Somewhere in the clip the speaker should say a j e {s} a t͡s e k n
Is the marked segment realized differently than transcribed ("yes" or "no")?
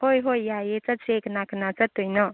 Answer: yes